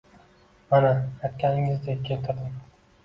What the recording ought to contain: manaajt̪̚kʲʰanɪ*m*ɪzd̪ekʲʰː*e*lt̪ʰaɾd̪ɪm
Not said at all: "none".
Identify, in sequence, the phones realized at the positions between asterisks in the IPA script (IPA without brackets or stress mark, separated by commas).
ŋ, e